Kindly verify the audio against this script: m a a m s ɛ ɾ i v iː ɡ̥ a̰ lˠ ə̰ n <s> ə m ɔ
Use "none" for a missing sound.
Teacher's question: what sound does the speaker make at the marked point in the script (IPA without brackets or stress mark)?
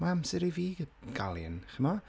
χ